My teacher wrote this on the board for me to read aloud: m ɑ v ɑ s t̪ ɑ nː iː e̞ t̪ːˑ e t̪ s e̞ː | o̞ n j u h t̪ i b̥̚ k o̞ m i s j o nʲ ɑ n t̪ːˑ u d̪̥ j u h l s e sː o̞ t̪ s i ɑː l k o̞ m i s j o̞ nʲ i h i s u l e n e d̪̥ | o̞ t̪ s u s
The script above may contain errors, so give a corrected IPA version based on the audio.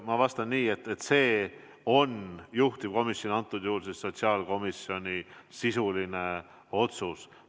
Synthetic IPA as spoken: m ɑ v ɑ s t̪ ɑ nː iː e̞ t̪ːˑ e t̪ s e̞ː | o̞ n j u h t̪ i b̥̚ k o̞ m i s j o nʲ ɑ n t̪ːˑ u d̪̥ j u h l s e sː o̞ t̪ s i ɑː l k o̞ m i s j o̞ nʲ i s i s u l i n e | o̞ t̪ s u s